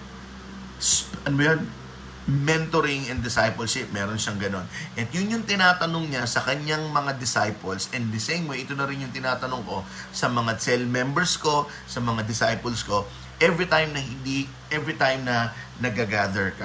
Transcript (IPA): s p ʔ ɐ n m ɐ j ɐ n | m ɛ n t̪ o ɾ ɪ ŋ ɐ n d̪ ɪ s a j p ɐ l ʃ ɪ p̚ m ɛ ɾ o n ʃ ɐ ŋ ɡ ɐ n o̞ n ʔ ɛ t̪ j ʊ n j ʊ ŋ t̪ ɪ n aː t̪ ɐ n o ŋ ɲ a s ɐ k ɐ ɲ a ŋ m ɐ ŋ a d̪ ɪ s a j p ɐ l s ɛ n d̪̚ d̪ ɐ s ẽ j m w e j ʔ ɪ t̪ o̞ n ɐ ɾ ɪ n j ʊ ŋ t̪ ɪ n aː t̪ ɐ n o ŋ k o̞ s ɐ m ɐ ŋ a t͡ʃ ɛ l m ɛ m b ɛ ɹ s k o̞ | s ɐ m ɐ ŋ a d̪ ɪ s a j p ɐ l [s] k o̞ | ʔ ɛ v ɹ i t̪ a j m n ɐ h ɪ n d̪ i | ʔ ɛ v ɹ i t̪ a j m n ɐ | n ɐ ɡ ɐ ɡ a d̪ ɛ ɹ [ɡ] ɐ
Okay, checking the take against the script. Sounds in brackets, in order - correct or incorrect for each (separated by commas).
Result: correct, incorrect